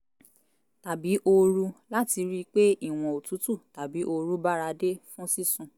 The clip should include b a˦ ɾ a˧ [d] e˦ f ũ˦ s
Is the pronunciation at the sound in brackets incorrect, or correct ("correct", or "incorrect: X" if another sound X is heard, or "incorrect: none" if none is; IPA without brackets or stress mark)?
correct